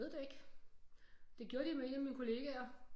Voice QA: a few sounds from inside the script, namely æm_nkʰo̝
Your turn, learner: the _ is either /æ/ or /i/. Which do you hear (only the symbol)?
i